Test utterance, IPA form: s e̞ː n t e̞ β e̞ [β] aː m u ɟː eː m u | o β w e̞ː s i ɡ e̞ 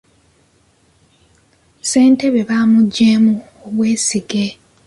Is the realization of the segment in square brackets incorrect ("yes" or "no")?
no